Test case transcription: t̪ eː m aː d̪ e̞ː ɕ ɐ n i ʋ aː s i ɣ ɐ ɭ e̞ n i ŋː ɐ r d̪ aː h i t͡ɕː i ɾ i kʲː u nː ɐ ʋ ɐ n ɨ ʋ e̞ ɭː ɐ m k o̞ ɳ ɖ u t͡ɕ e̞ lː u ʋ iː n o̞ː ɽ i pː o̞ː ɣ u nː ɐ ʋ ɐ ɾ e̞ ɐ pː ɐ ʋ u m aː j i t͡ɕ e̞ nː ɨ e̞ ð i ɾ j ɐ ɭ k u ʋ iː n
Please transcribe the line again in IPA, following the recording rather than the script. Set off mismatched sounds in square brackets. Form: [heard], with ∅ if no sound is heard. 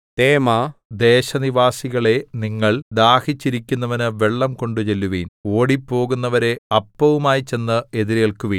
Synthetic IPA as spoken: t̪ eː m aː d̪ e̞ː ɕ ɐ n i ʋ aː s i ɣ ɐ ɭ e̞ n i ŋː ɐ [ɭ] d̪ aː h i t͡ɕː i ɾ i kʲː u nː ɐ ʋ ɐ n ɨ ʋ e̞ ɭː ɐ m k o̞ ɳ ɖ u t͡ɕ e̞ lː u ʋ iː n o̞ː ɽ i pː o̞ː ɣ u nː ɐ ʋ ɐ ɾ e̞ ɐ pː ɐ ʋ u m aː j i t͡ɕ e̞ nː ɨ e̞ ð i ɾ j ɐ ɭ k u ʋ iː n